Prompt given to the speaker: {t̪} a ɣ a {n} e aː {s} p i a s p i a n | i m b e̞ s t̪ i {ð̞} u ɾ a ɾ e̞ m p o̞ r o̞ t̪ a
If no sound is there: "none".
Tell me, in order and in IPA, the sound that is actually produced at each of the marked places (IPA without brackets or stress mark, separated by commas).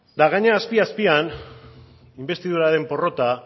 d̪, ɲ, s, ð̞